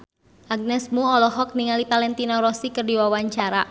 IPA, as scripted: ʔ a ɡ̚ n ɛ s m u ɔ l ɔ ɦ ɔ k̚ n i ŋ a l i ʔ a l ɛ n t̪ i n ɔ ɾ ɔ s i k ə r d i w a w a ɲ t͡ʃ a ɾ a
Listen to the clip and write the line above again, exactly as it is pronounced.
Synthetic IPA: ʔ a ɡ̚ n ɛ s m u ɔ l ɔ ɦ ɔ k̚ n i ŋ a l i p a l ɛ n t̪ i n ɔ ɾ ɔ s i k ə r d i w a w a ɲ t͡ʃ a ɾ a